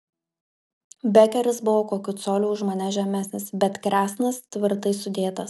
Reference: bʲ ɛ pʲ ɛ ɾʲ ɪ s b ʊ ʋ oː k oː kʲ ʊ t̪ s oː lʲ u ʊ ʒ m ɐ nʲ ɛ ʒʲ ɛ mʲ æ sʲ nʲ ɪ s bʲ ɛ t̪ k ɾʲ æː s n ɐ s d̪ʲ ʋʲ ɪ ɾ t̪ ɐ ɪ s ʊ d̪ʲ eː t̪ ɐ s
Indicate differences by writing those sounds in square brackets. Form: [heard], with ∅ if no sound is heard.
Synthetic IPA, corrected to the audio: bʲ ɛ [kʲ] ɛ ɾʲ ɪ s b ʊ ʋ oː k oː kʲ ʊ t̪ s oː lʲ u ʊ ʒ m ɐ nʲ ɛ ʒʲ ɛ mʲ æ sʲ nʲ ɪ s bʲ ɛ t̪ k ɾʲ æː s n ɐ s [t̪ʲ] ʋʲ ɪ ɾ t̪ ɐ ɪ s ʊ d̪ʲ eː t̪ ɐ s